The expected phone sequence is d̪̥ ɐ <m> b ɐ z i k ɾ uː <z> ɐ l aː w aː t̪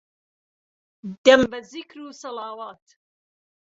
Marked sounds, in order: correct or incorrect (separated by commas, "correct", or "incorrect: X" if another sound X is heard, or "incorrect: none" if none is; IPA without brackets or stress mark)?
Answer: correct, incorrect: s